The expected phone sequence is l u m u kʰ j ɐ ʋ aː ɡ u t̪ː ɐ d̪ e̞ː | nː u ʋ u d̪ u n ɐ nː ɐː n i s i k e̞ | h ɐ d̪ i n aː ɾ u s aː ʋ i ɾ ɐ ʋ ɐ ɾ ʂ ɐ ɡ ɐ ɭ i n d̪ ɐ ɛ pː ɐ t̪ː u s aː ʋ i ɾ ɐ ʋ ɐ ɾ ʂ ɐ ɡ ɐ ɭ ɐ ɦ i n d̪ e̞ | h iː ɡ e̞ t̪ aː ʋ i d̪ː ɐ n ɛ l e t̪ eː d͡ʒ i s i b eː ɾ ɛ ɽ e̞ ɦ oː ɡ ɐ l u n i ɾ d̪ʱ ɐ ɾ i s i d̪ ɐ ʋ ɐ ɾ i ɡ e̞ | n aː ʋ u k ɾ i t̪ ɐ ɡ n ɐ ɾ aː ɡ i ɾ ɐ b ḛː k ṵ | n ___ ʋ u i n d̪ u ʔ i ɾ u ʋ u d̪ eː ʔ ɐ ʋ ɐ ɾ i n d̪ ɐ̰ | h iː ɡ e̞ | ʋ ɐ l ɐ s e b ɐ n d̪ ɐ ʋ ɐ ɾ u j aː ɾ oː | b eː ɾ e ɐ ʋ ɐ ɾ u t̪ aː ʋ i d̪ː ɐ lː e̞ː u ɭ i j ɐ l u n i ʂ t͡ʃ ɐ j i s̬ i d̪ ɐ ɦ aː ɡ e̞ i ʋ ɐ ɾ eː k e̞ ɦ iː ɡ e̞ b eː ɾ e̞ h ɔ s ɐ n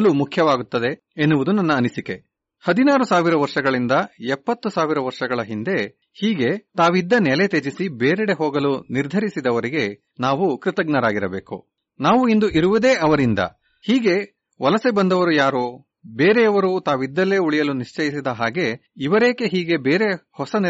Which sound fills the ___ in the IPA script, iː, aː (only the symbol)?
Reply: aː